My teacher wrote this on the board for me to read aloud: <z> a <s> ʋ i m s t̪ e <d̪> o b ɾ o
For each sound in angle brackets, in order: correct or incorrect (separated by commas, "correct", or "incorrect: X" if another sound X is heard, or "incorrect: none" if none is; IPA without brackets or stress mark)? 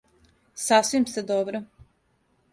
incorrect: s, correct, correct